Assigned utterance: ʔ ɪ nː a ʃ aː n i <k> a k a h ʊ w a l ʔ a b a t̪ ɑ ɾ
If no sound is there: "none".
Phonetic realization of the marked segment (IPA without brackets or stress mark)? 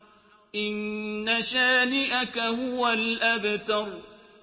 ʔ